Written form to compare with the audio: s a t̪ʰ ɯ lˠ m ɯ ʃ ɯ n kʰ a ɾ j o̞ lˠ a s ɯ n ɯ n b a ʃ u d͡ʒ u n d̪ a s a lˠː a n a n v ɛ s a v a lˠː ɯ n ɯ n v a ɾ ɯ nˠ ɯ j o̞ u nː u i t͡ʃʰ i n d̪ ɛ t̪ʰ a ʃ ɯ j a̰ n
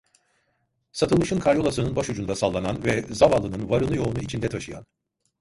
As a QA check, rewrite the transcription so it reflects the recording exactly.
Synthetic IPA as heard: s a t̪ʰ ɯ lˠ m ɯ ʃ ɯ n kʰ a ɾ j o̞ lˠ a s ɯ n ɯ n b a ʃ u d͡ʒ u n d̪ a s a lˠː a n a n v ɛ z a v a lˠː ɯ n ɯ n v a ɾ ɯ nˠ ɯ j o̞ u n u i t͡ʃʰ i n d̪ ɛ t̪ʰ a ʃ ɯ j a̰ n